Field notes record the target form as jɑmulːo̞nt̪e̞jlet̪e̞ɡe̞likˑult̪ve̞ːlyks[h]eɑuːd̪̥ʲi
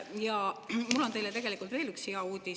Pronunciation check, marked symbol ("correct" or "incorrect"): correct